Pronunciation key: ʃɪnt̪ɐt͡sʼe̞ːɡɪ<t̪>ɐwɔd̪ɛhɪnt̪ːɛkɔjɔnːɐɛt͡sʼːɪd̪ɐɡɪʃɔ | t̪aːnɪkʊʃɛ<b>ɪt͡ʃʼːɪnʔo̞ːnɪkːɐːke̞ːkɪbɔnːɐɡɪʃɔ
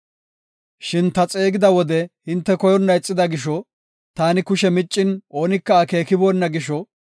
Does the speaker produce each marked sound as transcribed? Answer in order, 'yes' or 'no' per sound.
no, no

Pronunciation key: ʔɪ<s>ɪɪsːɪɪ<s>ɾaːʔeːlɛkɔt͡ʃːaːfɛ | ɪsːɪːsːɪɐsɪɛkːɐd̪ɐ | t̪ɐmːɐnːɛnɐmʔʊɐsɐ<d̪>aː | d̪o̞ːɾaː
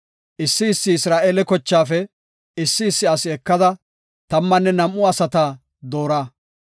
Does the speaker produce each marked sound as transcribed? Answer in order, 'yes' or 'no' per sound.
no, yes, no

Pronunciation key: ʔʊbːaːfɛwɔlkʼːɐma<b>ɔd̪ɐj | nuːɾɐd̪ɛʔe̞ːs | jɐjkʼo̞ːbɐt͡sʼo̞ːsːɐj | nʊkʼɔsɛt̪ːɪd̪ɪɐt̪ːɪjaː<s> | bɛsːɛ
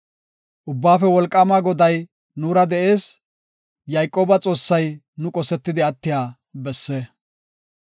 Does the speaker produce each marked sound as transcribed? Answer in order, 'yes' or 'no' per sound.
no, no

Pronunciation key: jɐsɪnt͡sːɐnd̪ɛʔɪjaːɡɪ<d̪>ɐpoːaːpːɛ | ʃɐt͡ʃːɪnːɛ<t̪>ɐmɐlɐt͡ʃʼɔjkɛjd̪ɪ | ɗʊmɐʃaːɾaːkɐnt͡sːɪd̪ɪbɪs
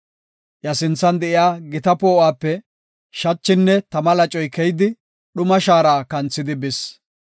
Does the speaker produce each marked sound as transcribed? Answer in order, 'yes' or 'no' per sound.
no, yes

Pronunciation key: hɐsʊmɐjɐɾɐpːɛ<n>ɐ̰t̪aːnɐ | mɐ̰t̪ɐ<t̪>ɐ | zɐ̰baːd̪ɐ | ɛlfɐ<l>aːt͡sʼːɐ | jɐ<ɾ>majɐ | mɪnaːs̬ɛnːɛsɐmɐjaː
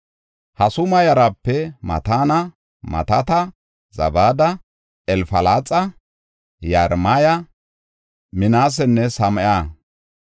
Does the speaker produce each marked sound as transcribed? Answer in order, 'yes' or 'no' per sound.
no, yes, yes, yes

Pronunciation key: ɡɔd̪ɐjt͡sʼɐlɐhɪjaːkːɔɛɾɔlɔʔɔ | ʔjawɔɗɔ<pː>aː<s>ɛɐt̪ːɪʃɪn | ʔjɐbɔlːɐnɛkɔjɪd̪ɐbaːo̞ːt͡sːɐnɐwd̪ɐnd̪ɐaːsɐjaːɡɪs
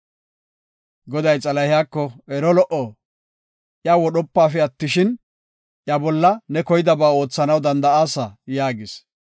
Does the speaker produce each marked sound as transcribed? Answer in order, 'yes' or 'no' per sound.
yes, no

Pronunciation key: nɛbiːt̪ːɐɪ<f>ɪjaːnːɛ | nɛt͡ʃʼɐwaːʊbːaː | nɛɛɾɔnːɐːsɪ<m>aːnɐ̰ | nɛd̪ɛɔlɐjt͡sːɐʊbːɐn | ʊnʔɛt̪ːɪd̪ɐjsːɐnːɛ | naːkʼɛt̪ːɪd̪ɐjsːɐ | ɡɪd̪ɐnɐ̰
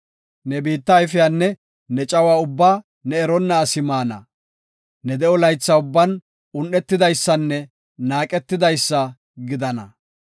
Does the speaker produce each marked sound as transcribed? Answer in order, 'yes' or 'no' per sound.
yes, yes

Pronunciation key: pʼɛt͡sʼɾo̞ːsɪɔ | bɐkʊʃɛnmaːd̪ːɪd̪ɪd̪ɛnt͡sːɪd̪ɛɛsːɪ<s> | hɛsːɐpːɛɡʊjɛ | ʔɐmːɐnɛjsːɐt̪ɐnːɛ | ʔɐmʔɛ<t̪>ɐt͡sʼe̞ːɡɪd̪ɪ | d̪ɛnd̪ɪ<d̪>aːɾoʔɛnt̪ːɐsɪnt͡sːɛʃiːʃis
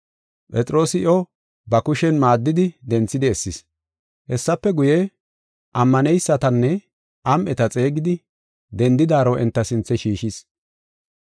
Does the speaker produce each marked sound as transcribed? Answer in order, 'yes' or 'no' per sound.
yes, yes, yes

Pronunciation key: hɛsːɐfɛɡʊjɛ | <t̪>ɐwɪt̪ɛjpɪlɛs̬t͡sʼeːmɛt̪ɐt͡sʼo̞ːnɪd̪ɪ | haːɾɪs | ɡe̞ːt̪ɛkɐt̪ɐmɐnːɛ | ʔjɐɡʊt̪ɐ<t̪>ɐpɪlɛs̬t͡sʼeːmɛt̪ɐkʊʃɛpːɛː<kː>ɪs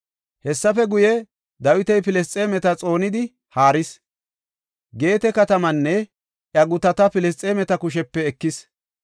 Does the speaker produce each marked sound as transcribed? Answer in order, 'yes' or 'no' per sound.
no, yes, yes

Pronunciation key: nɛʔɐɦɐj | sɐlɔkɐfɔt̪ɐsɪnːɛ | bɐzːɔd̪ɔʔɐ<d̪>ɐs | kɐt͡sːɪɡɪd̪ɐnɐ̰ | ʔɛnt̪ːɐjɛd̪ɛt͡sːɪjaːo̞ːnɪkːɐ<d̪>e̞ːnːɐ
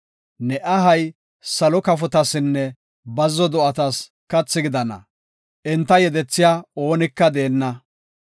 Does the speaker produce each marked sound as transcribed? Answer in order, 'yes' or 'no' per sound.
no, yes

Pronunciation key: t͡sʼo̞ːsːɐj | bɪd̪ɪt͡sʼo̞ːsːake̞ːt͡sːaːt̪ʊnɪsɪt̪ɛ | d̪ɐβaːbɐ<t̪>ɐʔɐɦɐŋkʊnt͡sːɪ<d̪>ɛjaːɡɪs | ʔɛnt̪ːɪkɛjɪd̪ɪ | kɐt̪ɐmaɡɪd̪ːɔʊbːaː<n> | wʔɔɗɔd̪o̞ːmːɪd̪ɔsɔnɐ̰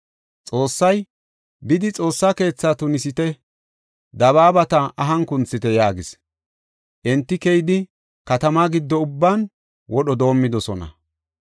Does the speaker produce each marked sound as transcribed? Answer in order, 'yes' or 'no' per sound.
yes, no, yes

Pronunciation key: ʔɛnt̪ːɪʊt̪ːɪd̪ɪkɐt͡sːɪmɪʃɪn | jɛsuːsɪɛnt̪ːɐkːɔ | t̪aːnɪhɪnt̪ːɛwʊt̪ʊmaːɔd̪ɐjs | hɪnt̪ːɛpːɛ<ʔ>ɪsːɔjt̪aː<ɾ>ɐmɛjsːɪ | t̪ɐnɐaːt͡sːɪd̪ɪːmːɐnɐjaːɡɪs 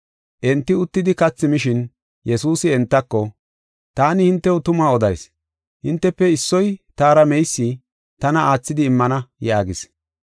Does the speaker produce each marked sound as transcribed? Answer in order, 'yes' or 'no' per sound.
no, yes

